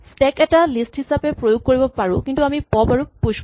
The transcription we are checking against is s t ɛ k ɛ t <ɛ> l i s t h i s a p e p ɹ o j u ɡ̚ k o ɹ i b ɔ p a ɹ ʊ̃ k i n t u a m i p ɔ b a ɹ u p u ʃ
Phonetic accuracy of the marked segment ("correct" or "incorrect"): incorrect